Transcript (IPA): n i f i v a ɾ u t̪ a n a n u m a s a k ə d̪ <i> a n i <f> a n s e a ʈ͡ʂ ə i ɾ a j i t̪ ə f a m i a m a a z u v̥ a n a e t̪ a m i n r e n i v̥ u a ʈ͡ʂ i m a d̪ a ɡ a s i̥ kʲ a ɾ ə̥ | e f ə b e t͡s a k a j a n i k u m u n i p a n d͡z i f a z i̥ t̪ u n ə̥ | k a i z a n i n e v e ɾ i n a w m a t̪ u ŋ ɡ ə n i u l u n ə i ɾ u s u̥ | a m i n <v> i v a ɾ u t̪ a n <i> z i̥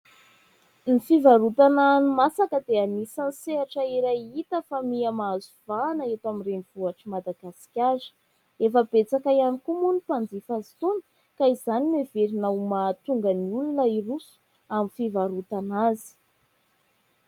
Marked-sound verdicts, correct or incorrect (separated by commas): incorrect, incorrect, incorrect, incorrect